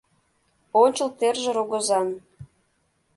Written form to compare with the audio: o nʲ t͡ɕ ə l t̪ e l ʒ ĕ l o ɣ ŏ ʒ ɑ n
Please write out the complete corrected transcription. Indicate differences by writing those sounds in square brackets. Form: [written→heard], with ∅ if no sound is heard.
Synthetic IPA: o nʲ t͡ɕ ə l t̪ e [l→r] ʒ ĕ [l→ɾ] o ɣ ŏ [ʒ→z] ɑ n